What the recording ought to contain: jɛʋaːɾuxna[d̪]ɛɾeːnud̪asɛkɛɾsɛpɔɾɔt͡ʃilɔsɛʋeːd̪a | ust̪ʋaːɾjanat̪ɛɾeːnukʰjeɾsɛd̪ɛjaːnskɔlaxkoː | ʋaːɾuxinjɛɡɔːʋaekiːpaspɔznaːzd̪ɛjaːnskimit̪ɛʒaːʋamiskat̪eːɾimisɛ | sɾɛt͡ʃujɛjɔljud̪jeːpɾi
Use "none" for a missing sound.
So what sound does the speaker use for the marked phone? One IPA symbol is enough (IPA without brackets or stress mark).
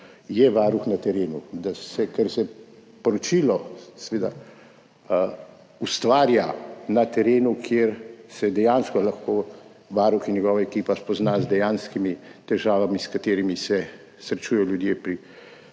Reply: t̪